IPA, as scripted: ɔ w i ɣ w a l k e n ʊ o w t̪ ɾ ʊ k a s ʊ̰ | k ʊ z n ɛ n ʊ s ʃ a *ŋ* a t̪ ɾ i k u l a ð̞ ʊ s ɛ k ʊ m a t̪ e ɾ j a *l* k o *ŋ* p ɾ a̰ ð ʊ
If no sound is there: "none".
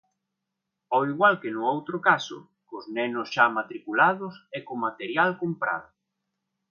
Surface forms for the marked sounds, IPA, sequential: m, l, m

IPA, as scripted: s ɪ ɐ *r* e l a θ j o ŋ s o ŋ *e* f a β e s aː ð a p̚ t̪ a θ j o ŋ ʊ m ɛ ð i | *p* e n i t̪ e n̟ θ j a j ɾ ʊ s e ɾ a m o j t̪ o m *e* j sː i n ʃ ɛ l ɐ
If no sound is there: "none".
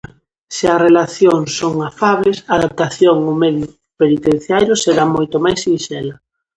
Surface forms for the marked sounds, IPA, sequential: r, a, p, a

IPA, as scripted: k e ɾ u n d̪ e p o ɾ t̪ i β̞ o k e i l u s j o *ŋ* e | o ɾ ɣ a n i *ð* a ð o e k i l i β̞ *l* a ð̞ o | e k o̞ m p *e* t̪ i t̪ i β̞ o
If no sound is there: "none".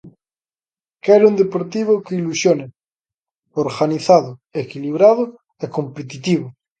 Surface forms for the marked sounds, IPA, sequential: n, θ, ɾ, e

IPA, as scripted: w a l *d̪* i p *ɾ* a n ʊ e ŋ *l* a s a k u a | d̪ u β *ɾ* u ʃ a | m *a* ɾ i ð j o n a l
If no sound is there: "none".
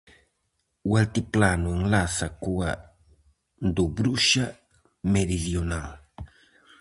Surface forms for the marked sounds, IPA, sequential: t̪, l, l, ɾ, e

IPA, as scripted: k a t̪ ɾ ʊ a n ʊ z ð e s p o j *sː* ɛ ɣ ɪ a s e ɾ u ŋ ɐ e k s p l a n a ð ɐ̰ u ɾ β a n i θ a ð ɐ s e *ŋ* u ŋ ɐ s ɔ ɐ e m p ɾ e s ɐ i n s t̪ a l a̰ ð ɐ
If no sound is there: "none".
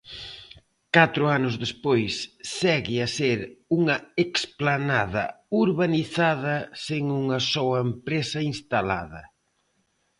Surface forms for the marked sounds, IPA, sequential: sː, ŋ

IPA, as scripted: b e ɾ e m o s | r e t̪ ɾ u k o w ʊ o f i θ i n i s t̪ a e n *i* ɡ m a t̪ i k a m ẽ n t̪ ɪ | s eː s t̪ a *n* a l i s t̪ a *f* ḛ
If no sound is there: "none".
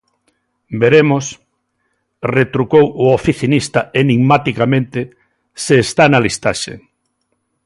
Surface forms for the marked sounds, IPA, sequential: i, n, ʃ

